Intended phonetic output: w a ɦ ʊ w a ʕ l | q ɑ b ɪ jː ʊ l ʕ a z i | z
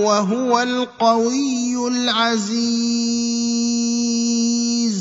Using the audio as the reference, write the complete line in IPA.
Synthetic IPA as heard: w a ɦ ʊ w a l | q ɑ w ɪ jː ʊ l ʕ a z i | z